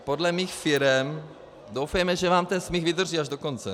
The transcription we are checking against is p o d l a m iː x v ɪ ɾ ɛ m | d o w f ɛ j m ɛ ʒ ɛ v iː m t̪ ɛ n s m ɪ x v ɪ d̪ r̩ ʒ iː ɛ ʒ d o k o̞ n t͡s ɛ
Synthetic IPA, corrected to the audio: p o d l ɛ m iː x f ɪ ɾ ɛ m | d o w f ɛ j m ɛ ʒ ɛ v aː m t̪ ɛ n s m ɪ x v ɪ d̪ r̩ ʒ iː a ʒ d o k o̞ n t͡s ɛ